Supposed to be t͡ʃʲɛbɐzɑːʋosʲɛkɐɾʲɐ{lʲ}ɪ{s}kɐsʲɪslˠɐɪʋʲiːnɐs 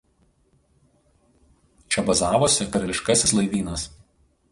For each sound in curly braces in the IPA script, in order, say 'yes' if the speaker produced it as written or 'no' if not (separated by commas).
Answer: yes, no